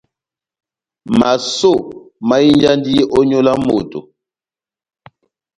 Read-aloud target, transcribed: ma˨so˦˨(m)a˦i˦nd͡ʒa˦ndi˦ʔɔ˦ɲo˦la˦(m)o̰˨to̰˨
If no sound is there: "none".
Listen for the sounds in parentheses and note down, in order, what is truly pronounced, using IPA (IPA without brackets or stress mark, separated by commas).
m, m